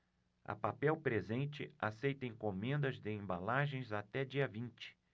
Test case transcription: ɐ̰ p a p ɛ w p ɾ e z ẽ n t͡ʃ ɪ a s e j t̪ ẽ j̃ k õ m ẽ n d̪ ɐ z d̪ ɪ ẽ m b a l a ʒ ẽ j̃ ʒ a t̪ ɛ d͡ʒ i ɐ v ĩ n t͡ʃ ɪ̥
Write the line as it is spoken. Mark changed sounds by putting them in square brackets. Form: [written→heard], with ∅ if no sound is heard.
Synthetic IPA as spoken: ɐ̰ p a p ɛ w p ɾ e z ẽ n t͡ʃ ɪ a s e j t̪ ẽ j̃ k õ m ẽ n d̪ ɐ z d̪ ɪ ẽ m b a l a ʒ ẽ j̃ [ʒ→z] a t̪ ɛ d͡ʒ i ɐ v ĩ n t͡ʃ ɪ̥